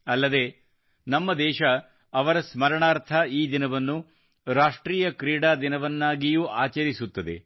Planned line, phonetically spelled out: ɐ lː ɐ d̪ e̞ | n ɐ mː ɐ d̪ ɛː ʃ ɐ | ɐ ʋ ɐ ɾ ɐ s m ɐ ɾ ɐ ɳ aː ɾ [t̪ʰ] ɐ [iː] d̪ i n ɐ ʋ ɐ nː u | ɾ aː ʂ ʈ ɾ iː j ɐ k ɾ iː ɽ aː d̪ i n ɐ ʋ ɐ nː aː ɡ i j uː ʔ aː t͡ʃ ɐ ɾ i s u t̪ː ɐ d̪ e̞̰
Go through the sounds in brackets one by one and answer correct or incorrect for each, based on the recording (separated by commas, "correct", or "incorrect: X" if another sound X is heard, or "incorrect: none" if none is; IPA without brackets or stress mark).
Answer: correct, correct